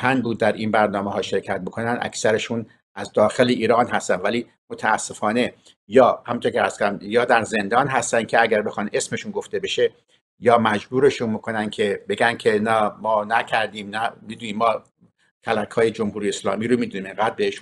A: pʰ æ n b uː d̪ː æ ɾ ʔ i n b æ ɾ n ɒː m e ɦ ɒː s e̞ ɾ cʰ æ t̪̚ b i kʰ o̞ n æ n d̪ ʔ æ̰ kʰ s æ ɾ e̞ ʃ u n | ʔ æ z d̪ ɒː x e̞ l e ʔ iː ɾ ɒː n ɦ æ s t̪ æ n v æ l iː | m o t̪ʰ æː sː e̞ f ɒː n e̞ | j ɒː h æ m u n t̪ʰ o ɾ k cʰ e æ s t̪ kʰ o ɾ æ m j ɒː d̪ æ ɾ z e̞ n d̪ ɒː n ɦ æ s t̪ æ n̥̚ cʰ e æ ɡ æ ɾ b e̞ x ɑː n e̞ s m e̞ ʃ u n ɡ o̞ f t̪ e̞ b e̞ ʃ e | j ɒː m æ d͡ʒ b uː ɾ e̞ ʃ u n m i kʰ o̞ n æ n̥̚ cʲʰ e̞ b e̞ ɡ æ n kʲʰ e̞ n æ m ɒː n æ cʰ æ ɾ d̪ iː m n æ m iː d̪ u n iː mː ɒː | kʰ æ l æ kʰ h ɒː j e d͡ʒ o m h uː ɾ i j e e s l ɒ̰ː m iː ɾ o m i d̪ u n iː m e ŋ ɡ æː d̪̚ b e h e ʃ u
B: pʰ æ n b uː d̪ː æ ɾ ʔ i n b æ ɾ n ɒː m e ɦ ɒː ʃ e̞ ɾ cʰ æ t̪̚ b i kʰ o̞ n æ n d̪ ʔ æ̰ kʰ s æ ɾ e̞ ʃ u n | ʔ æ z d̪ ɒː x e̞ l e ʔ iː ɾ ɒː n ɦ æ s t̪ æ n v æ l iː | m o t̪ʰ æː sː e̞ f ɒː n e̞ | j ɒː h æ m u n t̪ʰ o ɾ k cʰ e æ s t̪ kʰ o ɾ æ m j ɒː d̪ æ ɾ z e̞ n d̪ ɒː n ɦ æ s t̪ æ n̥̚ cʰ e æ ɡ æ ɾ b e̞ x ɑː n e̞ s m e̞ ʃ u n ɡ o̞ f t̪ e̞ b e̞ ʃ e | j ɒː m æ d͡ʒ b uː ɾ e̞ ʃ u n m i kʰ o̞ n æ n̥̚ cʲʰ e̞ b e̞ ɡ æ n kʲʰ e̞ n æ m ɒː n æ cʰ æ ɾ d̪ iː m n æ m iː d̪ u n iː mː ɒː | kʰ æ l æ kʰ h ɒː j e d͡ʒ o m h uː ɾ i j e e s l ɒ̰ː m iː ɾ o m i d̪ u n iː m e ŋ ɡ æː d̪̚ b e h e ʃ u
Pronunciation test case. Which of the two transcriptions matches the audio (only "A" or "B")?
B